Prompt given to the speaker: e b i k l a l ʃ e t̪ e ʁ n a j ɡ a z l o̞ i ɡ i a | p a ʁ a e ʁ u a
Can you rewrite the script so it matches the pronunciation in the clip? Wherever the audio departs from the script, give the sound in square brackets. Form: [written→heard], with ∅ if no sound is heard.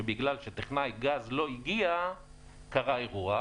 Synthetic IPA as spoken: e b i [k→ɡ] l a l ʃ e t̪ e [ʁ→χ] n a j ɡ a z l o̞ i ɡ i a | [p→k] a ʁ a e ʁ u a